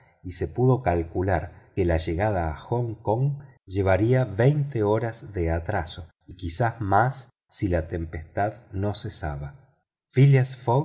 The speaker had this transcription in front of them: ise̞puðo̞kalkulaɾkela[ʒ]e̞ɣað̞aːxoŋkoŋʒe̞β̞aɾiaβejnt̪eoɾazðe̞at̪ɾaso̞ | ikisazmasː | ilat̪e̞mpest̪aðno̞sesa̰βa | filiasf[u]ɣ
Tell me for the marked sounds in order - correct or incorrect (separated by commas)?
correct, incorrect